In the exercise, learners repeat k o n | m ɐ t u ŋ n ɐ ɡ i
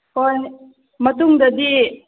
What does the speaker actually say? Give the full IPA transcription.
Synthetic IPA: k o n | m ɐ t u ŋ d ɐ d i